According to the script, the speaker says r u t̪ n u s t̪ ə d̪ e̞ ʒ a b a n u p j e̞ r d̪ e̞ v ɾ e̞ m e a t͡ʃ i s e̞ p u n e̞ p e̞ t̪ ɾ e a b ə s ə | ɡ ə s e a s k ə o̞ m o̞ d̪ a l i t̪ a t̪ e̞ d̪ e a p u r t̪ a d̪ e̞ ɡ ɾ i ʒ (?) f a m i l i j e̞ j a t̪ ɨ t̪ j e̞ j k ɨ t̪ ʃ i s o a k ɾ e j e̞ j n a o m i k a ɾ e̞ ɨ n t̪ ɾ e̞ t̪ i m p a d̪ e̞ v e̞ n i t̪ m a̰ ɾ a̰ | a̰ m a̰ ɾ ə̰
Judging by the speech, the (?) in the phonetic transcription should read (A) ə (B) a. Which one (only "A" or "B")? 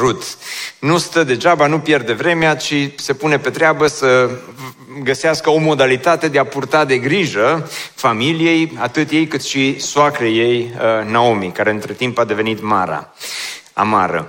A